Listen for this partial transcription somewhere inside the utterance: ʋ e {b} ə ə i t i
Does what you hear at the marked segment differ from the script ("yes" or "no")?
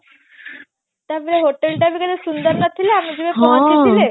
yes